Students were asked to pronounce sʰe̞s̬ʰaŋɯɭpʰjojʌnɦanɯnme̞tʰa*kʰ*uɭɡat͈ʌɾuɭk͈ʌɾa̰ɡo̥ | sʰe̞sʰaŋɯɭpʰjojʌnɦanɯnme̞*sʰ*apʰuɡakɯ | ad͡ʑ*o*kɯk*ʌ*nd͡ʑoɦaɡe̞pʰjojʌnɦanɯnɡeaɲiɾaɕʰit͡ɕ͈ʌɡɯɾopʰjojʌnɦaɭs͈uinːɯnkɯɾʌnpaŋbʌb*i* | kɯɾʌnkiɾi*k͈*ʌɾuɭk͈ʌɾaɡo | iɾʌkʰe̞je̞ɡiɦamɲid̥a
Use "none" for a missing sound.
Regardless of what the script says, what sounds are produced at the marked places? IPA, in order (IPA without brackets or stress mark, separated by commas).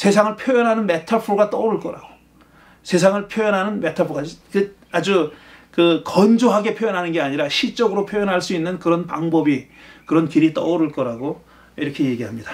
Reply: pʰ, tʰ, u, ʌ, i, t͈